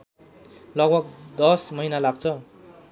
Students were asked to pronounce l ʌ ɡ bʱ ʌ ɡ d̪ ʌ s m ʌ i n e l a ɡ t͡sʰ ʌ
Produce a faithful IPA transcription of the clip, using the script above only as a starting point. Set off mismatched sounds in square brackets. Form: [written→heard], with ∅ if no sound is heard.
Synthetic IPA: l ʌ ɡ bʱ ʌ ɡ d̪ ʌ s m ʌ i n [e→a] l a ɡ t͡sʰ ʌ